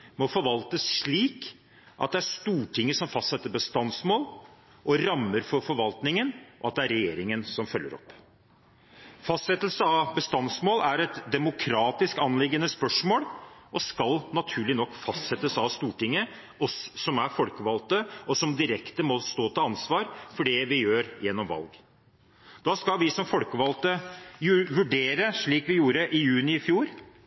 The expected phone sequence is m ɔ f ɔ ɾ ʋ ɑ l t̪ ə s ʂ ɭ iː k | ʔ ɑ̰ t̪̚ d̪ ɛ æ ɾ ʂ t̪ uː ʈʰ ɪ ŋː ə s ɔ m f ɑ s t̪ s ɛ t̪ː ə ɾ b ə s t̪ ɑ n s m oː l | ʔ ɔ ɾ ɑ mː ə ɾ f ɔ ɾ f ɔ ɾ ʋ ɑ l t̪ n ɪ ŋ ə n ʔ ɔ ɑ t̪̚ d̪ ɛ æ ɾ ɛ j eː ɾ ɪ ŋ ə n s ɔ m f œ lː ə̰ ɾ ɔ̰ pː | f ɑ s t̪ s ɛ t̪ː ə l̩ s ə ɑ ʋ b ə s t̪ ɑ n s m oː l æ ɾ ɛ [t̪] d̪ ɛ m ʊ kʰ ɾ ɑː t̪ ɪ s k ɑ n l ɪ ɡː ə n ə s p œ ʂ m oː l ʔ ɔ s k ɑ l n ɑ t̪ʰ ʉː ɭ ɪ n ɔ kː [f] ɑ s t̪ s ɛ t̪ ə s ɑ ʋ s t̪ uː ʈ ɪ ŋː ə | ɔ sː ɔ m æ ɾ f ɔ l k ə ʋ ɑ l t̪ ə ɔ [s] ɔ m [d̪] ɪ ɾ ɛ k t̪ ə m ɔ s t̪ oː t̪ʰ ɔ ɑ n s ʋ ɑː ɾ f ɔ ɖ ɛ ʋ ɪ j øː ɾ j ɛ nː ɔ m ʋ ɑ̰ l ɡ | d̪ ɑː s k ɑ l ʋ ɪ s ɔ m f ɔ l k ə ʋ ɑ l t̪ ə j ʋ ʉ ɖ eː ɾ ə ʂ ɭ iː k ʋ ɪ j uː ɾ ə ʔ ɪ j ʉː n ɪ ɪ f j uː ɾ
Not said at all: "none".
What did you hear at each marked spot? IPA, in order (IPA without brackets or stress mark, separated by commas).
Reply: t̪, f, s, d̪